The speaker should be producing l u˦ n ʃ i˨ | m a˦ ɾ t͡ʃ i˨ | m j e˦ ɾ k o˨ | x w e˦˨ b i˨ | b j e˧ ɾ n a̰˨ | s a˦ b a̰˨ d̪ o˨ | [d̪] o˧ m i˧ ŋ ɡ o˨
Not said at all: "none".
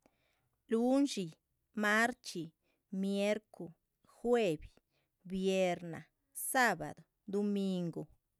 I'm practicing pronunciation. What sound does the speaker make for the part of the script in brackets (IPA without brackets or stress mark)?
d̪